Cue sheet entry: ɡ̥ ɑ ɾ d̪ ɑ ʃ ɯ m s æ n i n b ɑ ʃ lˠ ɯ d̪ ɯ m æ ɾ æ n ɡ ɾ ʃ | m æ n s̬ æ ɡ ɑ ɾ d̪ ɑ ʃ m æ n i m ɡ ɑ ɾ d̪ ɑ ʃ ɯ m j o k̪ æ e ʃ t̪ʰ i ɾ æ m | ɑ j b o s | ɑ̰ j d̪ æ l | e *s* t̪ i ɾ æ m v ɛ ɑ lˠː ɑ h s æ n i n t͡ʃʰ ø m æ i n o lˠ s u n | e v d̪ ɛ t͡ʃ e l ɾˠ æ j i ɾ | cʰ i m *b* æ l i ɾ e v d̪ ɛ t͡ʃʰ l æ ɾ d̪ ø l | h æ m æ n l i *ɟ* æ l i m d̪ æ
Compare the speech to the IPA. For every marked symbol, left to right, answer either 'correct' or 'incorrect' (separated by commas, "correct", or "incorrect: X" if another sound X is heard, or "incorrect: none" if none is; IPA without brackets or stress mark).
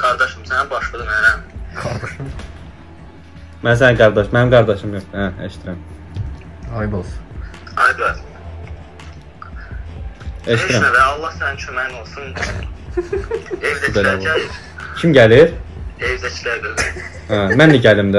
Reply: incorrect: ʃ, incorrect: ɟ, correct